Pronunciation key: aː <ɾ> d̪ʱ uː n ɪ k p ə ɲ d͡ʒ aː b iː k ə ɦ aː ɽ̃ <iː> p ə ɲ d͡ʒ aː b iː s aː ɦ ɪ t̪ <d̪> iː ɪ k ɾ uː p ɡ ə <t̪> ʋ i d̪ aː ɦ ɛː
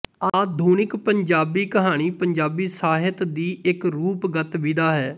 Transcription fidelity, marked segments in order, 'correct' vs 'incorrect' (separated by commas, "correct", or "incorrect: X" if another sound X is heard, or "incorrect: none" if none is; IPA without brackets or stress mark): incorrect: none, correct, correct, correct